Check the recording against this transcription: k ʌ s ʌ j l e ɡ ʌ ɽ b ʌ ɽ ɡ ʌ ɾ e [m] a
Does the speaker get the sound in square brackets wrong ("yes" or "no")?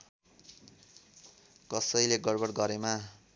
no